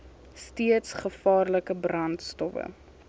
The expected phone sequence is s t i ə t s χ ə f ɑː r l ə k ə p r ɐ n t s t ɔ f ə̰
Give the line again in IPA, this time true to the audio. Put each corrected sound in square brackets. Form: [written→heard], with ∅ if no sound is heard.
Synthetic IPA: s t i ə t s χ ə f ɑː r l ə k ə [p→b] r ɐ n t s t ɔ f ə̰